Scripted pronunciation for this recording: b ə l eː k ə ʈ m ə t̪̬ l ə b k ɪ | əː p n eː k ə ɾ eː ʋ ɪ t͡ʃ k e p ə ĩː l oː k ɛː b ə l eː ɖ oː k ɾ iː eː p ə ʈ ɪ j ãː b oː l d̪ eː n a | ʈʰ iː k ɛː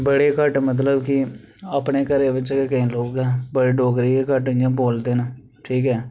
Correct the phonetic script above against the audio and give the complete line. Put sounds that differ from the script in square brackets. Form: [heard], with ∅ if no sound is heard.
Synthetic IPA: b ə [ɽ] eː k ə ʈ m ə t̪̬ l ə b k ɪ | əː p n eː k ə ɾ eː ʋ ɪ t͡ʃ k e [k] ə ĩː l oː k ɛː b ə [ɽ] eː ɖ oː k ɾ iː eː [k] ə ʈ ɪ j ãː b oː l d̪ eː n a | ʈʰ iː k ɛː